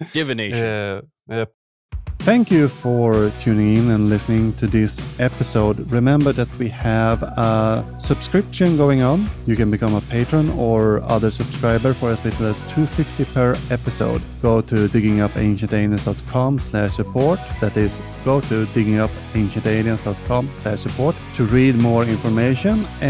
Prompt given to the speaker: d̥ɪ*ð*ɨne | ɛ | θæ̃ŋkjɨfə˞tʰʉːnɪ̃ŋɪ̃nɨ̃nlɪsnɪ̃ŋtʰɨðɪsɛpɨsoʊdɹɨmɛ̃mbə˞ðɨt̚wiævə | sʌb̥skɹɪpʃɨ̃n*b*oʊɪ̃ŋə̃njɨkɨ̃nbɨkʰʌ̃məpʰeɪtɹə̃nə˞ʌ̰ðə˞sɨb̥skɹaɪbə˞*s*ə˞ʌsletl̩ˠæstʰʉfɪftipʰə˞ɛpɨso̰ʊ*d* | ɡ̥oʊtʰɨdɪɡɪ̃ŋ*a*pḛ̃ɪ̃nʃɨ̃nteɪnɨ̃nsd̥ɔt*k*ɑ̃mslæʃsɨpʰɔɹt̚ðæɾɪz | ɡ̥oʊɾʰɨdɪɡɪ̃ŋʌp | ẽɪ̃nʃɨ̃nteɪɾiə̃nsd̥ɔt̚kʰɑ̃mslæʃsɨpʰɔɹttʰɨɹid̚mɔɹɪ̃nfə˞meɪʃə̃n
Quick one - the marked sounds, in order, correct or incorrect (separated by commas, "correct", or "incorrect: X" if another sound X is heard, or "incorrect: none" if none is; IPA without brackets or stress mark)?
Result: incorrect: v, incorrect: ɡ, incorrect: f, correct, incorrect: ʌ, incorrect: kʰ